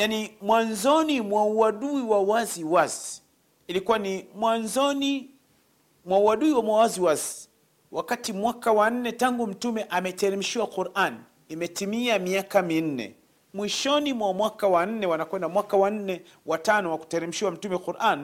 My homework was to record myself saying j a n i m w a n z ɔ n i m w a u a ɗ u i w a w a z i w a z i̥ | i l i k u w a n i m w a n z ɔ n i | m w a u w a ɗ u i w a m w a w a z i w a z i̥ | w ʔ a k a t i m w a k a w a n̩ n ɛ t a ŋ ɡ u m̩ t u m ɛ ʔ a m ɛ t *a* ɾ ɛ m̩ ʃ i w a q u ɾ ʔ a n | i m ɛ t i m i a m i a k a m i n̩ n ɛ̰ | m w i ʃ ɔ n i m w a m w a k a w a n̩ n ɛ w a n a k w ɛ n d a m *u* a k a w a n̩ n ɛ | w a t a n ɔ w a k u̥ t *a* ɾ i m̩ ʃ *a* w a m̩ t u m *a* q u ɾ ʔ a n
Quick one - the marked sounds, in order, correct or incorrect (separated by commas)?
incorrect, incorrect, incorrect, incorrect, incorrect